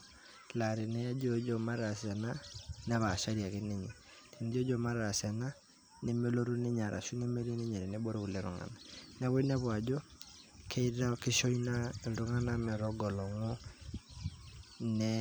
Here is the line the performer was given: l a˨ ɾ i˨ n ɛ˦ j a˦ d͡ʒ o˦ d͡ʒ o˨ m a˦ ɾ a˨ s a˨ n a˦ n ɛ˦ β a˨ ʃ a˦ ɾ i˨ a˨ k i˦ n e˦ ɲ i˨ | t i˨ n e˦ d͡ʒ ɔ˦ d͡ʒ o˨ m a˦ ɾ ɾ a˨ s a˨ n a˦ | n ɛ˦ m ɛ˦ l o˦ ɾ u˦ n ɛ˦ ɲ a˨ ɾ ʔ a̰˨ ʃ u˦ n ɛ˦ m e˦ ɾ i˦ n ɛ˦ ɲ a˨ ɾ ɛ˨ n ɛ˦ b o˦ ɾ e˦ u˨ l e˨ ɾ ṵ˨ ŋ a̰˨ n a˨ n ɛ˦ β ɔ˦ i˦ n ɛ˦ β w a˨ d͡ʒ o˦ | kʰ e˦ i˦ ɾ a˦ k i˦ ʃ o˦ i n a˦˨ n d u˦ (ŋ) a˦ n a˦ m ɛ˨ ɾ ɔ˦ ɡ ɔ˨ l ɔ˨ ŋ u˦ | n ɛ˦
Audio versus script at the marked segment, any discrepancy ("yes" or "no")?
no